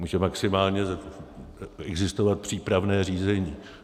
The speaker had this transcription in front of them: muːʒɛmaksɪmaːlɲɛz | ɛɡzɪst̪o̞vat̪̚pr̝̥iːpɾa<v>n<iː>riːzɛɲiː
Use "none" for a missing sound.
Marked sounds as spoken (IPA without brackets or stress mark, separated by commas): v, ɛː